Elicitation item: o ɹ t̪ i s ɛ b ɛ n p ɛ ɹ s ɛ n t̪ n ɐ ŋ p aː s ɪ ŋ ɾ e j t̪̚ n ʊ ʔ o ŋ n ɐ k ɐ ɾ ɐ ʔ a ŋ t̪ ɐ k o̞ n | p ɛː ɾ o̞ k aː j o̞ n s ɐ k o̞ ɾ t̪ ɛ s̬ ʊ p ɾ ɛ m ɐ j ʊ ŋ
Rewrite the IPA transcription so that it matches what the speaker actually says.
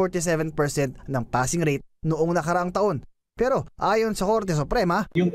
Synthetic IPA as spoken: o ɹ t̪ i s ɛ v ɛ n p ɛ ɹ s ɛ n t̪ n ɐ ŋ p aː s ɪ ŋ ɾ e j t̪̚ n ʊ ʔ o ŋ n ɐ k ɐ ɾ ɐ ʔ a ŋ t̪ ɐ ʔ o̞ n | p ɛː ɾ o̞ ʔ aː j o̞ n s ɐ k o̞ ɾ t̪ ɛ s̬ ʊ p ɾ ɛ m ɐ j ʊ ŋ